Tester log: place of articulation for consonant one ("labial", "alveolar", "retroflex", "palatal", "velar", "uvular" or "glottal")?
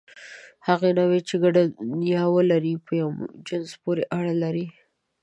glottal